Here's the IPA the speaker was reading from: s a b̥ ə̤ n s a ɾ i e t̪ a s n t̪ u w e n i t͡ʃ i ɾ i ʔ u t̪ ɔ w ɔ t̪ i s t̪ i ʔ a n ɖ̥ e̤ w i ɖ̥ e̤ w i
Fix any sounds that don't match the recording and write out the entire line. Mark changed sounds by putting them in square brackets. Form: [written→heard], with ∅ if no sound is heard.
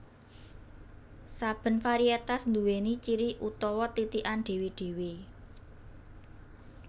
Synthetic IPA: s a b̥ ə̤ n [s→f] a ɾ i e t̪ a s n [t̪→d̪] u w e n i t͡ʃ i ɾ i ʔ u t̪ ɔ w ɔ t̪ i [s→∅] t̪ i ʔ a n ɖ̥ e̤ w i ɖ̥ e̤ w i